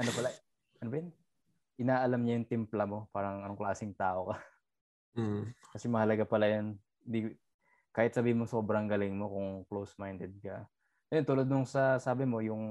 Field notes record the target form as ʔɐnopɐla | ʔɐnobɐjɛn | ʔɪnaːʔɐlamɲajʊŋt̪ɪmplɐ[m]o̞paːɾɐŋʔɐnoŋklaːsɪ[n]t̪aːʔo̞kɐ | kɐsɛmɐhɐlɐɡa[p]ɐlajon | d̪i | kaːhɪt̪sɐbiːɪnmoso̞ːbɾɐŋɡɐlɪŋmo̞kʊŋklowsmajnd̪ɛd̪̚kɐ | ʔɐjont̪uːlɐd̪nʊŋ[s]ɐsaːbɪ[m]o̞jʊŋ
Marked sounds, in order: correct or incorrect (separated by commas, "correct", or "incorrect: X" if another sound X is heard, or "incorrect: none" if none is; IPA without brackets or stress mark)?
correct, incorrect: ŋ, correct, correct, correct